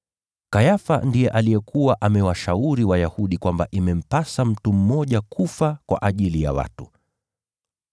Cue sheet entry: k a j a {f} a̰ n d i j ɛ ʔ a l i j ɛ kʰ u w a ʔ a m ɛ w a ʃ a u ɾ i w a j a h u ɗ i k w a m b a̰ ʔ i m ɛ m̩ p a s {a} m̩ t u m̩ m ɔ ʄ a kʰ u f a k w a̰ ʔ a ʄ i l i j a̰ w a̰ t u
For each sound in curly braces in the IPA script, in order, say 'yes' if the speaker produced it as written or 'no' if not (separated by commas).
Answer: yes, yes